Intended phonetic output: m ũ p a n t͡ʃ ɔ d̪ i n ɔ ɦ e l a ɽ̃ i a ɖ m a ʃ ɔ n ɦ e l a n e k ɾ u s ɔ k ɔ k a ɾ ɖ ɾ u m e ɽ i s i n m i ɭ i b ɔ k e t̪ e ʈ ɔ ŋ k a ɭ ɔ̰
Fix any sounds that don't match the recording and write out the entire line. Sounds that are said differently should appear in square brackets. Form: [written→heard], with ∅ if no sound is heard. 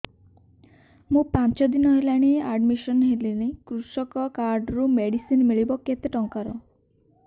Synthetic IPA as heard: m ũ p a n t͡ʃ ɔ d̪ i n ɔ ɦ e l a ɽ̃ i a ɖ m [a→i] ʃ ɔ n ɦ e l [a→i] n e k ɾ u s ɔ k ɔ k a ɾ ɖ ɾ u m e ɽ i s i n m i ɭ i b ɔ k e t̪ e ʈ ɔ ŋ k a [ɭ→ɾ] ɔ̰